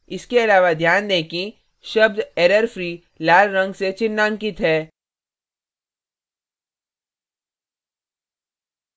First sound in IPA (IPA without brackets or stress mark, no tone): ɪ